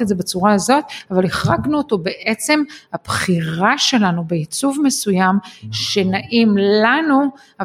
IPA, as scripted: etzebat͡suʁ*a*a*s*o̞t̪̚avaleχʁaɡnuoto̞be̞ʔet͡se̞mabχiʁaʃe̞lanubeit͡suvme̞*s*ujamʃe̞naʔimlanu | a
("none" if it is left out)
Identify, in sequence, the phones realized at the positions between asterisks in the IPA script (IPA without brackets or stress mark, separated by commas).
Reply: a, z, s